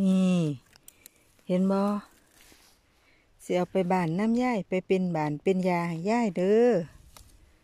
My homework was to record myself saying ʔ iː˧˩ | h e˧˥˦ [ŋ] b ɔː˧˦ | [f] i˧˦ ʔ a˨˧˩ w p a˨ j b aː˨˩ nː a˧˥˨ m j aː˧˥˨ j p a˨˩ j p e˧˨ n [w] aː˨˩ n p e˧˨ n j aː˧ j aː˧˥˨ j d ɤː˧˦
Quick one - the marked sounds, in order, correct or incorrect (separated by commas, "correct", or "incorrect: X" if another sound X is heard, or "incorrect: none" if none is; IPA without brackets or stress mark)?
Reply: incorrect: n, incorrect: s, incorrect: b